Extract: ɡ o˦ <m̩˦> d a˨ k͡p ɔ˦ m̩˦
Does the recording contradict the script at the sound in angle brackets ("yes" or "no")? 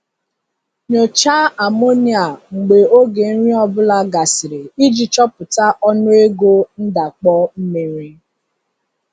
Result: yes